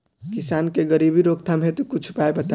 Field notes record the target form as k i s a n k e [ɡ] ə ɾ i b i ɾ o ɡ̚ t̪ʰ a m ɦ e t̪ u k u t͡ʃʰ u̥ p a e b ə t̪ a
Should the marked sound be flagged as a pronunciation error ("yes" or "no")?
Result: no